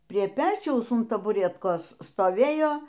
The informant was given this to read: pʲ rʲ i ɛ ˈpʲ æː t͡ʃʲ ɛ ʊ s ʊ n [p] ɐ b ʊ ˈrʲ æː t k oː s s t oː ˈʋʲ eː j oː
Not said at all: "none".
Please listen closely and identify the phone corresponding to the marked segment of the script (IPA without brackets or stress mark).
t